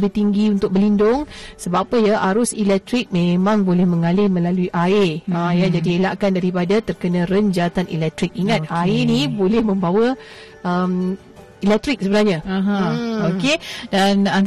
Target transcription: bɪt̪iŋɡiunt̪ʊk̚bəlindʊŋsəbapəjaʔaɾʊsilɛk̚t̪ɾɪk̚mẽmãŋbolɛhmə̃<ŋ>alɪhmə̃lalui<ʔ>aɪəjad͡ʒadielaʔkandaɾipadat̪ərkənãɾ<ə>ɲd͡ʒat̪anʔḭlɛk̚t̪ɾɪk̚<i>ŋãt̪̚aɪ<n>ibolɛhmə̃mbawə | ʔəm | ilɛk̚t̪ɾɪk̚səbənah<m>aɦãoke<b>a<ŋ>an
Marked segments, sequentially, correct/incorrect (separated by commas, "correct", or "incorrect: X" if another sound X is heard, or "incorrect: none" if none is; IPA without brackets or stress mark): correct, correct, correct, correct, correct, incorrect: ɲ, incorrect: d, incorrect: n